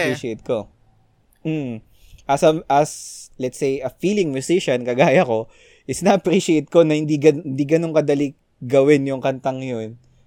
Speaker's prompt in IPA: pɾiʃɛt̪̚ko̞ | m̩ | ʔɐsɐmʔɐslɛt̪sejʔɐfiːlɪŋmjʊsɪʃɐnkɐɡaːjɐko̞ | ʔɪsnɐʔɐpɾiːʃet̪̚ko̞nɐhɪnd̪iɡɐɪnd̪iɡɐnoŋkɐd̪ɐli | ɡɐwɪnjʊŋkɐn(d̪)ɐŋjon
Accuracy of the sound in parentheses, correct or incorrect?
incorrect